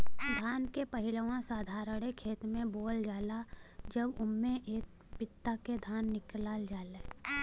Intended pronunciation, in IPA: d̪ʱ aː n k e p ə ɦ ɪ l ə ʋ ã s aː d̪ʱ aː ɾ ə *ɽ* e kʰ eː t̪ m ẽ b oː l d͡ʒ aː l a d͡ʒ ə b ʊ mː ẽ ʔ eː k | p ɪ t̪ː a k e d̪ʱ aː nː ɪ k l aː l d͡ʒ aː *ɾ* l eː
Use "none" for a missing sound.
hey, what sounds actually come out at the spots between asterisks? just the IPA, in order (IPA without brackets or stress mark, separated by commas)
ɽ, none